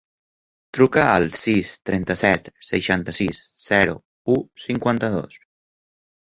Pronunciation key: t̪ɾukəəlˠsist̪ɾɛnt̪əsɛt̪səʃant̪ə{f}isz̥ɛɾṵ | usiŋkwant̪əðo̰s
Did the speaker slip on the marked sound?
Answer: yes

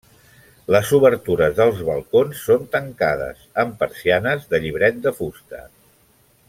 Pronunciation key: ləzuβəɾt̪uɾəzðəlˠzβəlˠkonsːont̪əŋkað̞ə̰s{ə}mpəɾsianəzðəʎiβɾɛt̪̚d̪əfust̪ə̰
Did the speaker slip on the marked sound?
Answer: no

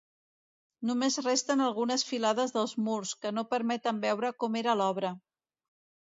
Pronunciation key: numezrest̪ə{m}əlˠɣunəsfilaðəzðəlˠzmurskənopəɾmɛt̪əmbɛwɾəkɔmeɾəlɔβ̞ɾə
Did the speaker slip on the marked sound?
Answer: yes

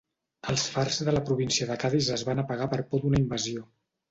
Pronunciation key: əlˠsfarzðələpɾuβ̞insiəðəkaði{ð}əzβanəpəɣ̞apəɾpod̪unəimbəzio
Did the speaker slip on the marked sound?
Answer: yes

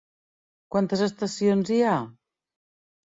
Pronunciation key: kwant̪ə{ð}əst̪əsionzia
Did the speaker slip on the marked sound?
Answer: yes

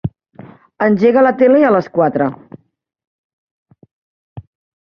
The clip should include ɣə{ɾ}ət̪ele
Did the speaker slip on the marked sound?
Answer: yes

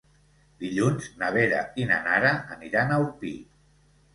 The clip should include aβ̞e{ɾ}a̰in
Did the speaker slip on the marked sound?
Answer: no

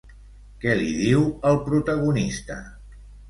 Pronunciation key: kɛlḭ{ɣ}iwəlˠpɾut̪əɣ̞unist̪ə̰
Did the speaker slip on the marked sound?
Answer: yes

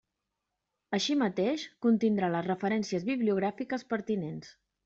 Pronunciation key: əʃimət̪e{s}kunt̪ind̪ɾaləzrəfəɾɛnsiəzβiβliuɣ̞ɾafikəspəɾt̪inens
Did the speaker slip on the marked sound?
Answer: yes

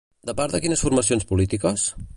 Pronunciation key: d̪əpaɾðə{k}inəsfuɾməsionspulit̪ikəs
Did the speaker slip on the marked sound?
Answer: no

